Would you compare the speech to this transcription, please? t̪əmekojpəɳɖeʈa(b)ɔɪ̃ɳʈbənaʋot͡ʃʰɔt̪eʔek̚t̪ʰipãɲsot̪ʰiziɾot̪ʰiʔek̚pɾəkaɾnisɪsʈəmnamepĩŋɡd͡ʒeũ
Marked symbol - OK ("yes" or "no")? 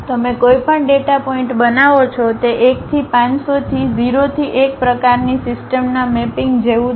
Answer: no